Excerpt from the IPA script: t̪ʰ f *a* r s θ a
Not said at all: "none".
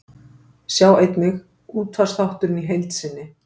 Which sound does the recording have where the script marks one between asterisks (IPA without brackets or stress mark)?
a